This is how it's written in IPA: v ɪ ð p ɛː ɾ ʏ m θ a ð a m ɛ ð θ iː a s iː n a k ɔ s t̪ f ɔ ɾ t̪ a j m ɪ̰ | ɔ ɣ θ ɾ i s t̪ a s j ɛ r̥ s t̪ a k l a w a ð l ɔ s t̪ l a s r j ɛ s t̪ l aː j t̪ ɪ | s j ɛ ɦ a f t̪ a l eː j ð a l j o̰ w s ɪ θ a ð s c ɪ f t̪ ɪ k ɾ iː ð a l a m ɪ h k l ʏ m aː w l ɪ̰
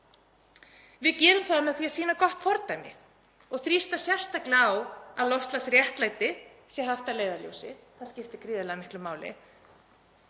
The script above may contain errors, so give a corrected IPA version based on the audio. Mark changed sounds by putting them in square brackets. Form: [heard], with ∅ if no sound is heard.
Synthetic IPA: v ɪ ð [c] ɛː ɾ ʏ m θ a ð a m ɛ ð θ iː a s iː n a k ɔ [h] t̪ f ɔ ɾ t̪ a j m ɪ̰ | ɔ ɣ θ ɾ i s t̪ a s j ɛ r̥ s t̪ a k l a w a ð l ɔ s t̪ l a s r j ɛ [h] t̪ l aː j t̪ ɪ | s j ɛ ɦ a f t̪ a l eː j ð a l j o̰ w s ɪ θ a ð s c ɪ f t̪ ɪ k ɾ iː ð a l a m ɪ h k l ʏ m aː w l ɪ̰